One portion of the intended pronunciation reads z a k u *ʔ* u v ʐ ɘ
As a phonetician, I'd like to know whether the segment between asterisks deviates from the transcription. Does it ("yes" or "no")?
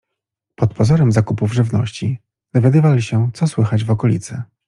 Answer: yes